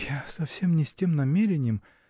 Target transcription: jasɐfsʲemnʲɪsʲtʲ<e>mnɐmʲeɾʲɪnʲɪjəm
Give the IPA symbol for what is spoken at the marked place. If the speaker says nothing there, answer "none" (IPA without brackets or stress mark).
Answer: e